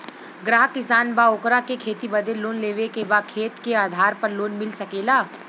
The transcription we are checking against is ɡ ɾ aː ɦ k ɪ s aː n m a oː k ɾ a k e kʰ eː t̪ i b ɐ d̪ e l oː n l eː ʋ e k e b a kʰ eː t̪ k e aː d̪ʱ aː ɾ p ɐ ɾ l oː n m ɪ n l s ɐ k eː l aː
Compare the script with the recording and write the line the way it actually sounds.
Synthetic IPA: ɡ ɾ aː ɦ k ɪ s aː n b a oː k ɾ a k e kʰ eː t̪ i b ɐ d̪ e l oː n l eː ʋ e k e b a kʰ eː t̪ k e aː d̪ʱ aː ɾ p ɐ ɾ l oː n m ɪ l s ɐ k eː l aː